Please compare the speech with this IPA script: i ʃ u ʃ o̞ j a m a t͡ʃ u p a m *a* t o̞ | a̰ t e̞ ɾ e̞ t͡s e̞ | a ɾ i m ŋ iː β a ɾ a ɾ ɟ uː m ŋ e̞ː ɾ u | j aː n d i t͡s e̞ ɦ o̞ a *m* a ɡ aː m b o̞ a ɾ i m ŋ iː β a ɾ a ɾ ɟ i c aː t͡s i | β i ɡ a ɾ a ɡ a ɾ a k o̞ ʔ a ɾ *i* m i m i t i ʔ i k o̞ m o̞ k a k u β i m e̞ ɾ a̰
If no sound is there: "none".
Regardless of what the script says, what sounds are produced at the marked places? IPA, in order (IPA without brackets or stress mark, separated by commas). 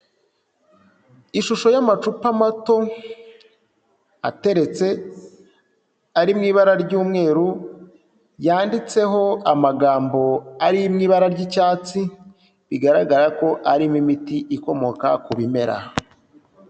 a, m, i